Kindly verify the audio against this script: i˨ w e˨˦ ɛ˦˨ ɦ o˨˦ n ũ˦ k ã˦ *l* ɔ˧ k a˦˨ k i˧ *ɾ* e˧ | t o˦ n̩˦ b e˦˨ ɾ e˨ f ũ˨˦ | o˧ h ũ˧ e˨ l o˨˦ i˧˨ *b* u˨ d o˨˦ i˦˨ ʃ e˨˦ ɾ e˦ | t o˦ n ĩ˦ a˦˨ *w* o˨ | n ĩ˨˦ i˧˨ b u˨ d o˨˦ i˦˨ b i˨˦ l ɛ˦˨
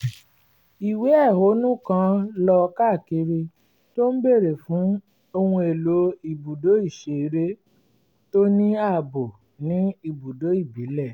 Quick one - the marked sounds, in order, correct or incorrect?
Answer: correct, correct, correct, incorrect

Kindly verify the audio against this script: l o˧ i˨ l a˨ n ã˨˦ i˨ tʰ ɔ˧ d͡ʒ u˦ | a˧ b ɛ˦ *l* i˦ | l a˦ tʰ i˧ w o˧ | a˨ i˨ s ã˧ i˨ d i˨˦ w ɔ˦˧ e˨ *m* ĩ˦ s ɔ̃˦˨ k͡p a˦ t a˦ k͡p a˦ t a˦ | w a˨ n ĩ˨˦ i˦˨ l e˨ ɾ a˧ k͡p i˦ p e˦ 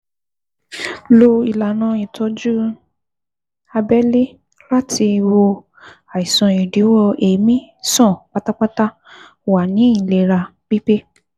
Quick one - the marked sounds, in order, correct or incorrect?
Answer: correct, correct

